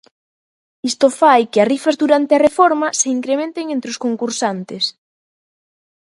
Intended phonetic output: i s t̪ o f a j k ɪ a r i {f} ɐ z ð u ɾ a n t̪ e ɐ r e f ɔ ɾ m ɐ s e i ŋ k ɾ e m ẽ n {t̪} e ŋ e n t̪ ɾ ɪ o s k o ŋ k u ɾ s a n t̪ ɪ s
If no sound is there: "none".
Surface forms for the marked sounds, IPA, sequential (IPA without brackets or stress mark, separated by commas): f, t̪